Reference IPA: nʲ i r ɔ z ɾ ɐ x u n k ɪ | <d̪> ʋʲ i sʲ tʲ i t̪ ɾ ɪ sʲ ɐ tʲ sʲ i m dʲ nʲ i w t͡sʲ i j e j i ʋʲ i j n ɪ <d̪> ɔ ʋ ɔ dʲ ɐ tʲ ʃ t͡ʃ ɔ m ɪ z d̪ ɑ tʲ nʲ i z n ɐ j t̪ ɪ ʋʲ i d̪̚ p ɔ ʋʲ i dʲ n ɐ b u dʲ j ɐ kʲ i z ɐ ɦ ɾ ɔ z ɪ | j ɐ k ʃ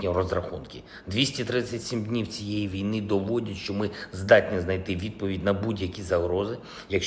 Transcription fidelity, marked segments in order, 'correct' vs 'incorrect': correct, correct

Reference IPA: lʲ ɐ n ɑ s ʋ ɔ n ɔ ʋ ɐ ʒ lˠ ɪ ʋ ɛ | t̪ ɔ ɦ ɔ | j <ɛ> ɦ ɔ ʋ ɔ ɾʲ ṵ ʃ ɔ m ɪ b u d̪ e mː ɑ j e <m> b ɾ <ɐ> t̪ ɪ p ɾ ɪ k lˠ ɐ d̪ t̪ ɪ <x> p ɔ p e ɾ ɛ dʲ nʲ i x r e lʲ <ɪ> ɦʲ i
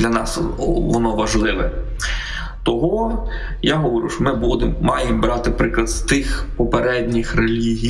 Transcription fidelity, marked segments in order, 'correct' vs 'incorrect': incorrect: a, correct, incorrect: ɑ, correct, incorrect: i

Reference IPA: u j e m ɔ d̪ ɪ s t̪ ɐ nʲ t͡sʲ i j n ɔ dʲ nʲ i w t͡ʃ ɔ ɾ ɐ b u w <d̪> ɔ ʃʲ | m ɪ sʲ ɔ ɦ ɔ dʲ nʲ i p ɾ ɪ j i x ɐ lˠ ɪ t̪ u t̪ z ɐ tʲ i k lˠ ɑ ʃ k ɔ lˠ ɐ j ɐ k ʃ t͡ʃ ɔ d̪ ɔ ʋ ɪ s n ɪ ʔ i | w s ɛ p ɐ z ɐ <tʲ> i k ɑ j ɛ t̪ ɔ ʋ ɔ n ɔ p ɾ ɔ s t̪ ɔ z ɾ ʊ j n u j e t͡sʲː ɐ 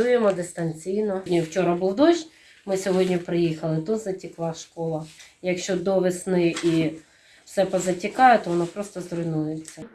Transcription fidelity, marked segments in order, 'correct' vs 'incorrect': correct, correct

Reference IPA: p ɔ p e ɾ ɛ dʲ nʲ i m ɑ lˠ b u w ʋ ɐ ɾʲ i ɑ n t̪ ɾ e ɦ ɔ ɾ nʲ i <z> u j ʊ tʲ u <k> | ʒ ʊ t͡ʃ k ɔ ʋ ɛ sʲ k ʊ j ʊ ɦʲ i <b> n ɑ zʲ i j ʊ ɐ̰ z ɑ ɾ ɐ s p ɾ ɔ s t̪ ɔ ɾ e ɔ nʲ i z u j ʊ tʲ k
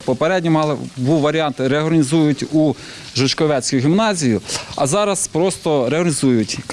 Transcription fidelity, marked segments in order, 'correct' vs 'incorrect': correct, incorrect: none, incorrect: m

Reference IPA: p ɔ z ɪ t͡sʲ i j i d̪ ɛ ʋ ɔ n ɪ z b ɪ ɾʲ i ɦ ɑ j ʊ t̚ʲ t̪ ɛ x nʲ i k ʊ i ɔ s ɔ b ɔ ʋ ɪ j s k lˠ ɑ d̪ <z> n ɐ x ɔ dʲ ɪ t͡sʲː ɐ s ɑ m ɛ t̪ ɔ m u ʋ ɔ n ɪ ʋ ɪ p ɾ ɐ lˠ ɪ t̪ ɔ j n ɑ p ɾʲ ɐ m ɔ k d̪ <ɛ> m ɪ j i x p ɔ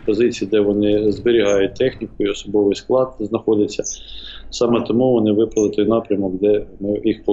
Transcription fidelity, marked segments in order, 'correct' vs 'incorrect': correct, correct

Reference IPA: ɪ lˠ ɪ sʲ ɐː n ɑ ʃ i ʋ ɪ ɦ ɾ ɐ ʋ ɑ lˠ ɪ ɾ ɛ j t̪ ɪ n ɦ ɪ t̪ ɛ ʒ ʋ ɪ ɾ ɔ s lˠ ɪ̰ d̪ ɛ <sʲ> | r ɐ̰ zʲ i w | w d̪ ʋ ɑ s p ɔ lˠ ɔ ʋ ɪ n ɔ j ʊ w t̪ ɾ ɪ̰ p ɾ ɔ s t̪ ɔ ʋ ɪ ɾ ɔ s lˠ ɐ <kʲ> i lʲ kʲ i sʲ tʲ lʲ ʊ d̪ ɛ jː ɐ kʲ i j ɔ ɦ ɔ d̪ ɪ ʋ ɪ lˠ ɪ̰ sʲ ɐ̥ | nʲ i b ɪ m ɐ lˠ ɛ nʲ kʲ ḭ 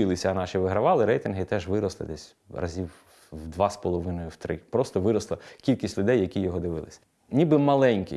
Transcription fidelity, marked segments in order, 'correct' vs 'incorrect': correct, correct

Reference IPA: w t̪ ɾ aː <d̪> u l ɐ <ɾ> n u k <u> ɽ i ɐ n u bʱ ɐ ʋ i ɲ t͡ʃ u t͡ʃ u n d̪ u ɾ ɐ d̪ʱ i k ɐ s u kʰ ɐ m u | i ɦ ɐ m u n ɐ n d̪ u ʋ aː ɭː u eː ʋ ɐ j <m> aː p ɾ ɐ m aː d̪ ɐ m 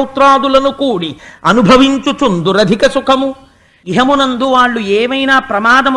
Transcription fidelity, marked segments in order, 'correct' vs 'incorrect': correct, incorrect: none, incorrect: uː, incorrect: n

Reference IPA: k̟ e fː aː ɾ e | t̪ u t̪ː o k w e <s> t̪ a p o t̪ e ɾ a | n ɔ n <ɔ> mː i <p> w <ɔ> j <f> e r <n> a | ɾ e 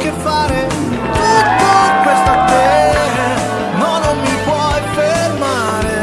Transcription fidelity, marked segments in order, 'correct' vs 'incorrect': correct, incorrect: o, correct, correct, correct, incorrect: m

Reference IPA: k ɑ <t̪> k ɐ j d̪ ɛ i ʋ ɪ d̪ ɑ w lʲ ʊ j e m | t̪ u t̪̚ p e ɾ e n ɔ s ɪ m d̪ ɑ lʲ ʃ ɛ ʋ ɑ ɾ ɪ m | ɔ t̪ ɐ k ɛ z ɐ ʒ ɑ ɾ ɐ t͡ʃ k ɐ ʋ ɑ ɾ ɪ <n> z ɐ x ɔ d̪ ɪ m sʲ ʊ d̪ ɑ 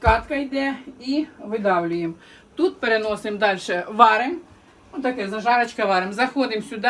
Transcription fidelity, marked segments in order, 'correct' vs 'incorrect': correct, incorrect: m

